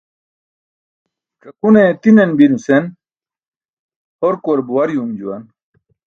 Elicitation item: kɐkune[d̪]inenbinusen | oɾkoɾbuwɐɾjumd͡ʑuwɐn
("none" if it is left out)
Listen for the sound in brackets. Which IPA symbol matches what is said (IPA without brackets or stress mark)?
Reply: t̪